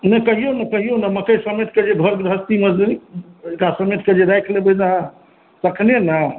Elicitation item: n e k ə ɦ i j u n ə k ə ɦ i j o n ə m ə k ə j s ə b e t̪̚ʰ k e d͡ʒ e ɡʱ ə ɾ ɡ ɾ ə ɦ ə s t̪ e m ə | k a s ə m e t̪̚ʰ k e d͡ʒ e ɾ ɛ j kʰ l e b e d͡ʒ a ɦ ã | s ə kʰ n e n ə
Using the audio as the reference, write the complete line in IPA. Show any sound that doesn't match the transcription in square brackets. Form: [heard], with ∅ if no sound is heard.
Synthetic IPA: n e k ə ɦ i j [o] n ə k ə ɦ i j o n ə m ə k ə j s ə [m] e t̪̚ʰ k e d͡ʒ e ɡʱ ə ɾ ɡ ɾ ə ɦ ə s t̪ [i] m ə | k a s ə m e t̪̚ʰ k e d͡ʒ e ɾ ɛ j kʰ l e b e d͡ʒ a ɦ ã | s ə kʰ n e n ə